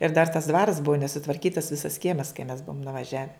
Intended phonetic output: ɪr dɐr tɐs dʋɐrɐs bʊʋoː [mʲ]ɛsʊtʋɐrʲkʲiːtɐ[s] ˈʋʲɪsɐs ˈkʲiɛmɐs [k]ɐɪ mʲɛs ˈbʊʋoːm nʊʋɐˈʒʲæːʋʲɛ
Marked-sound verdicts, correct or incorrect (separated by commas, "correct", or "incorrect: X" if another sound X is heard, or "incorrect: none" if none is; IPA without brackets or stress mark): incorrect: nʲ, correct, correct